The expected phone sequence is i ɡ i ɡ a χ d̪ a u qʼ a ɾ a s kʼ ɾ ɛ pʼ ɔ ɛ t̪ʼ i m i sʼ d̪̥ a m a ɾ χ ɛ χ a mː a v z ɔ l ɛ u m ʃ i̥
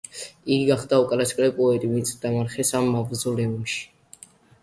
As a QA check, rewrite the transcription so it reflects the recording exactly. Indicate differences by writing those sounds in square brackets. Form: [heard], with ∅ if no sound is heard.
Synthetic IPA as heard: i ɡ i ɡ a χ d̪ a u [kʼ] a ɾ a s kʼ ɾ ɛ pʼ ɔ ɛ t̪ʼ i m i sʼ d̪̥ a m a ɾ χ ɛ [s] a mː a v z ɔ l ɛ u m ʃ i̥